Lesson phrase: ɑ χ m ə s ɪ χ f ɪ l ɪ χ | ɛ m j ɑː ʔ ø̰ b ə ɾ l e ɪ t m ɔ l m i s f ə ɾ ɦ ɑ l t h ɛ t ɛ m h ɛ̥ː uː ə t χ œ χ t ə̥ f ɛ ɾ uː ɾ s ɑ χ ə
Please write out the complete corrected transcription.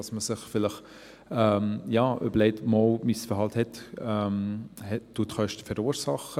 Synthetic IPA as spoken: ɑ s m ə s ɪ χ f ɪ l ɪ χ | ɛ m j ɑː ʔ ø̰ b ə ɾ l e ɪ t m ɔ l m i s f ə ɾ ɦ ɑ l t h ɛ t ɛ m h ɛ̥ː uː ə t χ œ ʃ t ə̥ f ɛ ɾ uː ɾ s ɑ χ ə